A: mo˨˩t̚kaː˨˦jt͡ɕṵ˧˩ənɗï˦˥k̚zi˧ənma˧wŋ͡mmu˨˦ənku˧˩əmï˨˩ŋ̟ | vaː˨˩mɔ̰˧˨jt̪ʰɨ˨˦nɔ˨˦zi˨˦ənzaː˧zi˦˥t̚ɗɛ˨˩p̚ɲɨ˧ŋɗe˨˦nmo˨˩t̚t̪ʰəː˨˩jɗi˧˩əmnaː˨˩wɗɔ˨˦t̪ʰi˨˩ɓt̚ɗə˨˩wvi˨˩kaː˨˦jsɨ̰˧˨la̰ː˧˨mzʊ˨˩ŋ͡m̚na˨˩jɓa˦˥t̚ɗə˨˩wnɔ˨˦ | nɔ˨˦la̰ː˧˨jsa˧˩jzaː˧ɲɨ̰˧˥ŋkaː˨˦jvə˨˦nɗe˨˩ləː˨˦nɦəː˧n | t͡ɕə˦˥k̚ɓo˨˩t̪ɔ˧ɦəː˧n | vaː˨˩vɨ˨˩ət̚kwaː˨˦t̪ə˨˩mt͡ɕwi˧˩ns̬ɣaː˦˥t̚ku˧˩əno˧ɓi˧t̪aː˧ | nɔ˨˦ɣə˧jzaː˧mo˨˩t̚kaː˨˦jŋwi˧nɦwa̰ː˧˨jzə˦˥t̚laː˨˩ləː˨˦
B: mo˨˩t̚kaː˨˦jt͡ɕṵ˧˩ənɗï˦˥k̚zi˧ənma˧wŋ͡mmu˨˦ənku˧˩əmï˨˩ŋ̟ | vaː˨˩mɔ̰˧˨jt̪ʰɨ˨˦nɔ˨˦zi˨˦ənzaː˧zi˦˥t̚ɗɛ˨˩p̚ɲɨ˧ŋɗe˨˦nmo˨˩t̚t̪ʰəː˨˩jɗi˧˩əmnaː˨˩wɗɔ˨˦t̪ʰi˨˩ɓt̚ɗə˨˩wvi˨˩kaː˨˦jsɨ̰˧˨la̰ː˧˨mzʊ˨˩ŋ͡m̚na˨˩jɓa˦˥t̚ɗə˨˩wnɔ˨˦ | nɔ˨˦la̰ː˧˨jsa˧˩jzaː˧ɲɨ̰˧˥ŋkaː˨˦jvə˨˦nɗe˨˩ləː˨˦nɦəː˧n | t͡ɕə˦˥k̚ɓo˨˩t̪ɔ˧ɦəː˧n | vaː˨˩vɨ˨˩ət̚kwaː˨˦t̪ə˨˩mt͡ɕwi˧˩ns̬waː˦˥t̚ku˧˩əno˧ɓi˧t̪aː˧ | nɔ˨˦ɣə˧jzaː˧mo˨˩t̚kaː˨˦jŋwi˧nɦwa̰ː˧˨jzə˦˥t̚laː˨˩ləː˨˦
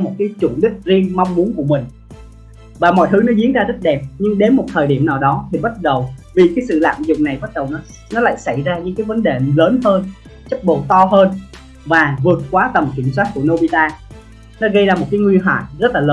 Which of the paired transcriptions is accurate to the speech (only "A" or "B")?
B